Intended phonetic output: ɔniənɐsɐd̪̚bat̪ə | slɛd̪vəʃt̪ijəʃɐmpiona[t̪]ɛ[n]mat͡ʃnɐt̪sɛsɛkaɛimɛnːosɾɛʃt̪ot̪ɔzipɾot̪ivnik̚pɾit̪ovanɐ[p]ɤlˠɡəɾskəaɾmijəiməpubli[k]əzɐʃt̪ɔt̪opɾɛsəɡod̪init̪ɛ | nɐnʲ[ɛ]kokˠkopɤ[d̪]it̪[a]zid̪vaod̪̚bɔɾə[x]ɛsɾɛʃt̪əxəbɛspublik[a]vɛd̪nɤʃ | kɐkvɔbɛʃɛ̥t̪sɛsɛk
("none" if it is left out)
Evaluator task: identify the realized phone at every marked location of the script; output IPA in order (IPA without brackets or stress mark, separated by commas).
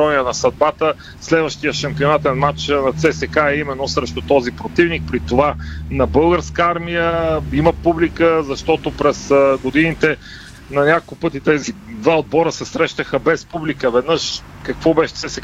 t̪, n, b, k, a, t̪, ɛ, s, ə